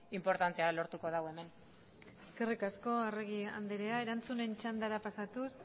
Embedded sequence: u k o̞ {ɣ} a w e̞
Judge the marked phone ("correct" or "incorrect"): incorrect